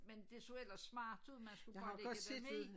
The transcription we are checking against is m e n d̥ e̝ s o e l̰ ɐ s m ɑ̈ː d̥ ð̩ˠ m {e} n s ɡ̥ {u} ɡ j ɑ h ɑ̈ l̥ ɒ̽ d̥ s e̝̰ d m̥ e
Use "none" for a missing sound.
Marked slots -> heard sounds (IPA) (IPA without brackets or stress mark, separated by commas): æ, u